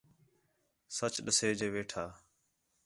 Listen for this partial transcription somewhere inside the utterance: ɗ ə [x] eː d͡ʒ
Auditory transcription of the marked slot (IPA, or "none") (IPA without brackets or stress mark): s